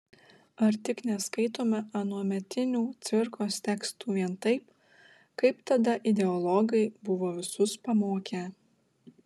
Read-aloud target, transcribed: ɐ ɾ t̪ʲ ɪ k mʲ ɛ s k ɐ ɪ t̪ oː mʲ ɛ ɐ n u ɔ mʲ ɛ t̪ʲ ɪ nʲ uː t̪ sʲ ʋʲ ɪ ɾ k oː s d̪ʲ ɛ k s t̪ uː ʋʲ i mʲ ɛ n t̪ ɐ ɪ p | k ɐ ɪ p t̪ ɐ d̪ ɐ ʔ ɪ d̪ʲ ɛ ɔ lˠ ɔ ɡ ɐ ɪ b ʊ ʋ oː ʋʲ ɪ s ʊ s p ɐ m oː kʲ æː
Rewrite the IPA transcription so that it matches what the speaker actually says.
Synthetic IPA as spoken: ɐ ɾ t̪ʲ ɪ k nʲ ɛ s k ɐ ɪ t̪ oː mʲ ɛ ɐ n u ɔ mʲ ɛ t̪ʲ ɪ nʲ uː t̪ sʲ ʋʲ ɪ ɾ k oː s t̪ʲ ɛ k s t̪ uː ʋʲ i ɛ n t̪ ɐ ɪ p | k ɐ ɪ p t̪ ɐ d̪ ɐ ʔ ɪ d̪ʲ ɛ ɔ lˠ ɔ ɡ ɐ ɪ b ʊ ʋ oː ʋʲ ɪ s ʊ s p ɐ m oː kʲ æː